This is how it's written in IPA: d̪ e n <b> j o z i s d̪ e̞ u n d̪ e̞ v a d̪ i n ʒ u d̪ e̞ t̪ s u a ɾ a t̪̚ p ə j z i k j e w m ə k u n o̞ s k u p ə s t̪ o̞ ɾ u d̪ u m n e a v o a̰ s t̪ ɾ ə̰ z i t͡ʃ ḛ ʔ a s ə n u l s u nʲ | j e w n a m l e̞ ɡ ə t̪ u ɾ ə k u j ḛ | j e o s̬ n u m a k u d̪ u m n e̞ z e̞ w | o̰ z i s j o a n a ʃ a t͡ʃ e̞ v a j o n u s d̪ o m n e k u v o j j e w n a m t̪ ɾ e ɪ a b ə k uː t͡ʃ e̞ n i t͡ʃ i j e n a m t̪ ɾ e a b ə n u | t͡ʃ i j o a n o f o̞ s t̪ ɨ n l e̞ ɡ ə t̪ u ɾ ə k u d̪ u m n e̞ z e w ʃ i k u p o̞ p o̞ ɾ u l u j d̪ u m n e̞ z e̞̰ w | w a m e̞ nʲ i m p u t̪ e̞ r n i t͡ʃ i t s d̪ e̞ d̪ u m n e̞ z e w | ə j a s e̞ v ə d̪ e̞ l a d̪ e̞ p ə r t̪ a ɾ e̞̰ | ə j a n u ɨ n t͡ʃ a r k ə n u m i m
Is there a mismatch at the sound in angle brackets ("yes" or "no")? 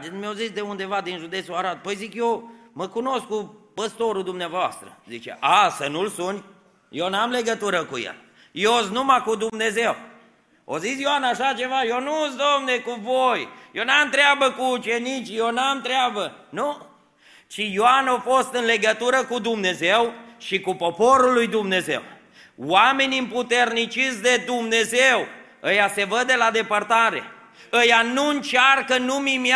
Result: yes